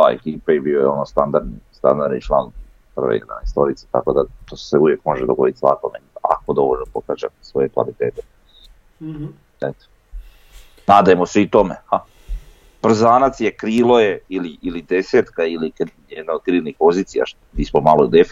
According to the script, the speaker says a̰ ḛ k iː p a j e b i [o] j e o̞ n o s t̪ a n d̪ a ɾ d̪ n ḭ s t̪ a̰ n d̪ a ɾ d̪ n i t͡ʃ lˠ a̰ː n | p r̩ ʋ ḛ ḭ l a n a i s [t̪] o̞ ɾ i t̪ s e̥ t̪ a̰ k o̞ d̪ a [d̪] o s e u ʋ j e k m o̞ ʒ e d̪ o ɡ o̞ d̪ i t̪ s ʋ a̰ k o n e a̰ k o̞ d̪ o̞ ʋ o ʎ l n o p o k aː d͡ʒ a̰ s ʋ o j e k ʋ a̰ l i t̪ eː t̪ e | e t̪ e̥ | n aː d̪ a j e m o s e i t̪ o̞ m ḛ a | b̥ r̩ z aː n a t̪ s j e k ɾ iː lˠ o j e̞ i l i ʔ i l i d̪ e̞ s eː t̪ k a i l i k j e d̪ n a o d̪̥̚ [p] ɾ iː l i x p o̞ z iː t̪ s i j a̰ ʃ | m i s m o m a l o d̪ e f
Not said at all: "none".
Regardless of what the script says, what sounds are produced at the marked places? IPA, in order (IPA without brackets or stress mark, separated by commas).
o, t̪, t̪, k